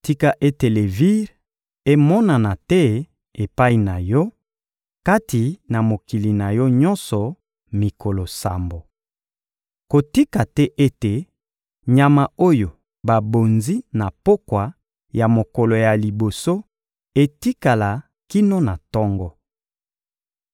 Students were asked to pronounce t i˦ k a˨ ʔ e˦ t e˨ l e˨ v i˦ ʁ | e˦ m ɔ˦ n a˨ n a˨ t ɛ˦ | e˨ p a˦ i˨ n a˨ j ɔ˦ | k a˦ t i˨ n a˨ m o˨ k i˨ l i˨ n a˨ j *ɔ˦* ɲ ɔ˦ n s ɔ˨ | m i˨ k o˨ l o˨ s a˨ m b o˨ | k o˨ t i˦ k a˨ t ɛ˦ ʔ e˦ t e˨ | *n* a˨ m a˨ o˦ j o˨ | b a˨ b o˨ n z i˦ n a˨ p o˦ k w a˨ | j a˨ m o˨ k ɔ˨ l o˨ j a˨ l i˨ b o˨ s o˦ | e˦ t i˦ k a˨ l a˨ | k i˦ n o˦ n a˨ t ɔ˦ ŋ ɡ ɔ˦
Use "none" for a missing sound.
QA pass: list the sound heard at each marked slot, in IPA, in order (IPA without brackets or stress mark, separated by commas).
ɔ˦, ɲ